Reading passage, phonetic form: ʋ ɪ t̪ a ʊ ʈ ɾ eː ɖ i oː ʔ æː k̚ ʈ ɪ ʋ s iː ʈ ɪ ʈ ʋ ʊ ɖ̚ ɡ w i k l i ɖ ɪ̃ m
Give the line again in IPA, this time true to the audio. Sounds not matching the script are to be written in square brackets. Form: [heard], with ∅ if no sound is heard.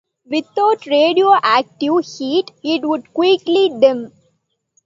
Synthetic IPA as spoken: ʋ ɪ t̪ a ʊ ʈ ɾ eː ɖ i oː ʔ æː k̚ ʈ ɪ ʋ [h] iː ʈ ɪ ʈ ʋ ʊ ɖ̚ [k] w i k l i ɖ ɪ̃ m